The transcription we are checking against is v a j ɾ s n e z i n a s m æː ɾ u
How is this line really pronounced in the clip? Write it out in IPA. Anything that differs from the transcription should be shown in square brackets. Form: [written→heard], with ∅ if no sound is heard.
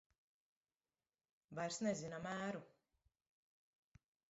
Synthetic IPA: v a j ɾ s n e z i n a [s→∅] m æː ɾ u

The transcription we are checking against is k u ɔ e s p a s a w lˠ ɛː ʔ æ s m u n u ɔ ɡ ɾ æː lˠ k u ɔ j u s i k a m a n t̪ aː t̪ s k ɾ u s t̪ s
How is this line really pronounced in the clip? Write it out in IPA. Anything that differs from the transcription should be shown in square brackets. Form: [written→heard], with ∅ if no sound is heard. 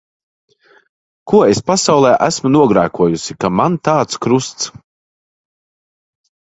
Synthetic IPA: k u ɔ e s p a s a w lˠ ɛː ʔ æ s m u n u ɔ ɡ ɾ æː [lˠ→∅] k u ɔ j u s i k a m a n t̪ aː t̪ s k ɾ u s t̪ s

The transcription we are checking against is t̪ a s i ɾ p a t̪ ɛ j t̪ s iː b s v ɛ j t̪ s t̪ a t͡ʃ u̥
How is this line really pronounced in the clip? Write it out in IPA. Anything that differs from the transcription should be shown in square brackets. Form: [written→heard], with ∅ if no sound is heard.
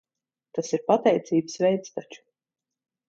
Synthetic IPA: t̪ a s i ɾ p a t̪ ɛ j t̪ s iː b s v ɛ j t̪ s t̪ a t͡ʃ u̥

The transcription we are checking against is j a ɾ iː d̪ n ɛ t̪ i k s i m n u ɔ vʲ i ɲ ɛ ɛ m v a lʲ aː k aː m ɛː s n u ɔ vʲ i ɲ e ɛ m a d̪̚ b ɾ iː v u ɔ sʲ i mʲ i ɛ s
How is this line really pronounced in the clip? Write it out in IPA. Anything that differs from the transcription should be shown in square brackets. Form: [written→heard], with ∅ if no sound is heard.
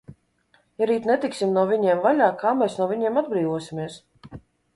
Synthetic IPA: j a ɾ iː [d̪→t̪] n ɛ t̪ i k s i m n u ɔ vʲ i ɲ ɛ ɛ m v a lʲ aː k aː m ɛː s n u ɔ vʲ i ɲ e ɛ m a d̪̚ b ɾ iː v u ɔ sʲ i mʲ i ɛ s

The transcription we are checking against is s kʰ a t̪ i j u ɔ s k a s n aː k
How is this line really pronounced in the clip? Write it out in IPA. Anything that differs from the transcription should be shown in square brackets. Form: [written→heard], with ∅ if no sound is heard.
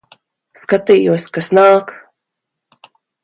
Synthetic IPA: s [kʰ→k] a t̪ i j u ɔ s k a s n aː k

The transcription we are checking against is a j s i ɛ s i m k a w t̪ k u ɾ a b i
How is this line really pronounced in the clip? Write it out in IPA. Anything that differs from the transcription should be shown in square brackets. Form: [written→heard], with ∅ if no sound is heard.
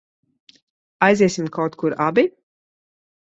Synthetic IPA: a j [s→z] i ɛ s i m k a w t̪ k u ɾ a b i

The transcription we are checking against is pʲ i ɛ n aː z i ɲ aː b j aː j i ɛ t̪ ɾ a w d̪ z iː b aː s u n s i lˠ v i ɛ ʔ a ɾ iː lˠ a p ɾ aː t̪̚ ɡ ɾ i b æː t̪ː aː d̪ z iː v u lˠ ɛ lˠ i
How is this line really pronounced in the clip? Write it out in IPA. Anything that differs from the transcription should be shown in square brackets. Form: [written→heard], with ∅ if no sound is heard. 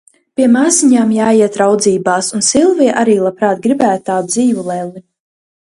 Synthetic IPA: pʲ i ɛ [n→m] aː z i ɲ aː [b→m] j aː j i ɛ t̪ ɾ a w d̪ z iː b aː s u n s i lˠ v i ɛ ʔ a ɾ iː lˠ a p ɾ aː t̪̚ ɡ ɾ i b æː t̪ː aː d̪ z iː v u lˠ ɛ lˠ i

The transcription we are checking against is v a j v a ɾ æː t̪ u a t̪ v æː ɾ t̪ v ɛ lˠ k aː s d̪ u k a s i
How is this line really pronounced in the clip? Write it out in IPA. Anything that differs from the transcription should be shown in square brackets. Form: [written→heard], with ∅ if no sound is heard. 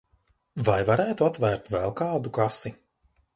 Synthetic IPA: v a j v a ɾ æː t̪ u a t̪ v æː ɾ t̪ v ɛ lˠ k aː [s→∅] d̪ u k a s i

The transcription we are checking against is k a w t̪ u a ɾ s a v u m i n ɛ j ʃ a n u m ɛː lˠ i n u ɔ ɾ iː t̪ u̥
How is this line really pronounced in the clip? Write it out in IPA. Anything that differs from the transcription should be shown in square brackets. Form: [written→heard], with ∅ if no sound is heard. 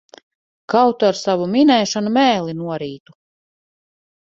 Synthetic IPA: k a w t̪ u a ɾ s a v u m i n ɛ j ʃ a n u m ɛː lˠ i n u ɔ ɾ iː t̪ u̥

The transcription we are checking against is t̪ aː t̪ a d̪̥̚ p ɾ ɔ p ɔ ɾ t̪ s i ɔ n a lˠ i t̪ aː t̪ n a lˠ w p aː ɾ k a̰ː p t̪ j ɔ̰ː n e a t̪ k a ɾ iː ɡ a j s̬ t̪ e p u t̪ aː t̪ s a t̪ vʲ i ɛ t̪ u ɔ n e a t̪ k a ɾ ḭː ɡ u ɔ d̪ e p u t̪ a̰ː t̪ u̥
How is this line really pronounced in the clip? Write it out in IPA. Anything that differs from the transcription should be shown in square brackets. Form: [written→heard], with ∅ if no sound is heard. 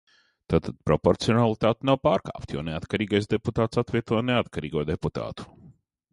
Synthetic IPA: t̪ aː t̪ a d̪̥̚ p ɾ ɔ p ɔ ɾ t̪ s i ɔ n a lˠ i t̪ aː t̪ n a [lˠ→∅] w p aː ɾ k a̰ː p t̪ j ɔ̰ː n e a t̪ k a ɾ iː ɡ a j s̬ [t̪→d̪] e p u t̪ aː t̪ s a t̪ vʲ i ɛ t̪ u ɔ n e a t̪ k a ɾ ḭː ɡ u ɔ d̪ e p u t̪ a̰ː t̪ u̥

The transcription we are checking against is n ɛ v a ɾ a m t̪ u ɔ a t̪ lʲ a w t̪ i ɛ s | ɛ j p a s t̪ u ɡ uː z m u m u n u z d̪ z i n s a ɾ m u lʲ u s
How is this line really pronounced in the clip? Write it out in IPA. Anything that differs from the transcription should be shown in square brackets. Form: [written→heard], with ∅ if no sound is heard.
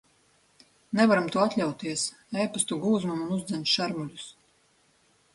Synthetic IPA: n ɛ v a ɾ a m t̪ u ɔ a t̪ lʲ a w t̪ i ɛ s | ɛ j p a s t̪ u ɡ uː z m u m u n u z d̪ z [i→ɛ] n [s→ʃ] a ɾ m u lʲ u s

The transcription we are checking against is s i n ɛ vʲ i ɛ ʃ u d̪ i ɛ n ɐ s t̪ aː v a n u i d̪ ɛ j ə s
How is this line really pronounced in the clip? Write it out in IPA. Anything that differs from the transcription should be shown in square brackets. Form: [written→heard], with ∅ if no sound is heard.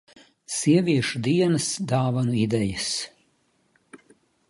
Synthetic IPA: s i [n→∅] ɛ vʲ i ɛ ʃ u d̪ i ɛ n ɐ s [t̪→d̪] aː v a n u i d̪ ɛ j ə s

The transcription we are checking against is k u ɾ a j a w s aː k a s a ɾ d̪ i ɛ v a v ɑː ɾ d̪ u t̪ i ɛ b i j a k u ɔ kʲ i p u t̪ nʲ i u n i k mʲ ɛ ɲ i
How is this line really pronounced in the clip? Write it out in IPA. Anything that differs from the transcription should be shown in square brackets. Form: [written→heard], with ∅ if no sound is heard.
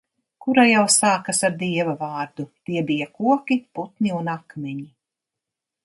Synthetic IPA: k u ɾ a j a w s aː k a s a ɾ d̪ i ɛ v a v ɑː ɾ d̪ u t̪ i ɛ b i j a k u ɔ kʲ i p u t̪ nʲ i u n [i→a] k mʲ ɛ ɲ i

